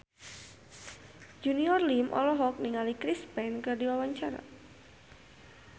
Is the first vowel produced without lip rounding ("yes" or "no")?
no